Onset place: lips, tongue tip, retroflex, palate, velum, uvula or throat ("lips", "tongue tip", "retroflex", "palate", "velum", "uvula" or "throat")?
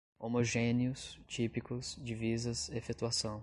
lips